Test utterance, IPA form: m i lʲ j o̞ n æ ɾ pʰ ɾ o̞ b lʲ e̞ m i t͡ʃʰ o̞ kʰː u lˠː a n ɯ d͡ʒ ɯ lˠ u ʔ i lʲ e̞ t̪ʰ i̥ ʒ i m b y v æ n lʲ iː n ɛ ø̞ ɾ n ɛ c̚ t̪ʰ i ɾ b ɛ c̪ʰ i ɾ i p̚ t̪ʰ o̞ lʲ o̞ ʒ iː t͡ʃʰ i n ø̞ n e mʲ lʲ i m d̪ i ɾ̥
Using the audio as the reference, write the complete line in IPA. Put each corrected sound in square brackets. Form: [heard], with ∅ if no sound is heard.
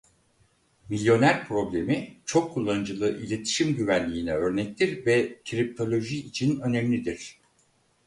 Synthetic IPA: m i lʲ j o̞ n æ ɾ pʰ ɾ o̞ b lʲ e̞ m i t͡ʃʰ o̞ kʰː u lˠː a n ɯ d͡ʒ ɯ lˠ [ɯ] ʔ i lʲ e̞ t̪ʰ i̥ [ʃ] i m [ɟ] y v æ n lʲ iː n ɛ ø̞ ɾ n ɛ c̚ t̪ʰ i ɾ [v] ɛ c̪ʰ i ɾ i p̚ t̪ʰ o̞ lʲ o̞ ʒ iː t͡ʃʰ i n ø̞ n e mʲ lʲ i [∅] d̪ i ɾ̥